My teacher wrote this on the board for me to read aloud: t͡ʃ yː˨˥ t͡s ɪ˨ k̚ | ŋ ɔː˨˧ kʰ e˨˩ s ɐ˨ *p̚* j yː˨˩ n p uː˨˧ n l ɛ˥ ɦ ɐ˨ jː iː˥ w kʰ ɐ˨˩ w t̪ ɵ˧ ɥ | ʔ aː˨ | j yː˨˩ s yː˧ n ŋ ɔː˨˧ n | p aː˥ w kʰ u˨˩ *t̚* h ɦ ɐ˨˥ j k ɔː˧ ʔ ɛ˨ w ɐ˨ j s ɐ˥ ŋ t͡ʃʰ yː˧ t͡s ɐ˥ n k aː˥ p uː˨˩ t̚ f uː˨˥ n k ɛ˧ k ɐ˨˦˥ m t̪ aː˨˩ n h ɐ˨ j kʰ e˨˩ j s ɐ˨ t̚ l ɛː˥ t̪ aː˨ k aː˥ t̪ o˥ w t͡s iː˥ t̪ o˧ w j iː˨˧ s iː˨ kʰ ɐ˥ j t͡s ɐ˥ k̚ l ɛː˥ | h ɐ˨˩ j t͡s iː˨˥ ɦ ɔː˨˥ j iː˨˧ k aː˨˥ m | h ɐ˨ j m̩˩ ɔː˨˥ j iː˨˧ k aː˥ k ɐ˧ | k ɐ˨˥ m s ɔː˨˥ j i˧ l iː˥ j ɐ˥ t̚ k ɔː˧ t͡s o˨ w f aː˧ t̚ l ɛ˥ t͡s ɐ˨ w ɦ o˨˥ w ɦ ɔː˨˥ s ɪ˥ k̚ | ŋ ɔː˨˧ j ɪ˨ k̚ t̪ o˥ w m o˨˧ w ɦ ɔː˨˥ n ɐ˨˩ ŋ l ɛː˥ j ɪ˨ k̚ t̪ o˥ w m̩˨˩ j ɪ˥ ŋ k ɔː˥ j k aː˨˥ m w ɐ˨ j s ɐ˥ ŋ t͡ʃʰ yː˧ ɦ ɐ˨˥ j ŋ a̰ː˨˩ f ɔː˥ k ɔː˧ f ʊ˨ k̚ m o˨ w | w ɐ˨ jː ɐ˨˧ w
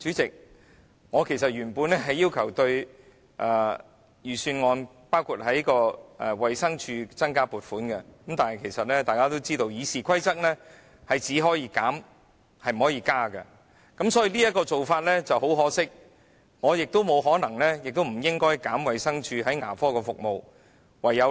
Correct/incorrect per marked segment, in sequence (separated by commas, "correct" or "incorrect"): incorrect, correct